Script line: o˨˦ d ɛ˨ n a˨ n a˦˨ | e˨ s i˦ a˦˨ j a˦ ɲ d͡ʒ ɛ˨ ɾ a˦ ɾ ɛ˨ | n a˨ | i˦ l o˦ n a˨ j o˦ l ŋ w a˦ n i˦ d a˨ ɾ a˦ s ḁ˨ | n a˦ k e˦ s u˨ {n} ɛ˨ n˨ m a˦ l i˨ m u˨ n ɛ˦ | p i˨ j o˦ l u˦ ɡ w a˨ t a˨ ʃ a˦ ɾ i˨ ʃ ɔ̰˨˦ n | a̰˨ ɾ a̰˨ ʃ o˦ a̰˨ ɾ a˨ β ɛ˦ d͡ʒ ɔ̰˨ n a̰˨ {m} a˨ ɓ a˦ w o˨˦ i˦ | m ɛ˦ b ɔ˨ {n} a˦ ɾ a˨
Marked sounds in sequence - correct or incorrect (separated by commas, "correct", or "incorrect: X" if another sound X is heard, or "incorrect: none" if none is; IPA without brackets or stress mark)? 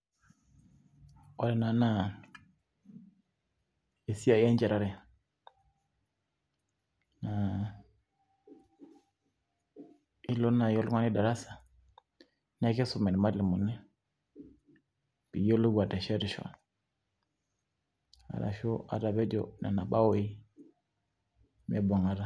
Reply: incorrect: m, incorrect: n, incorrect: ŋ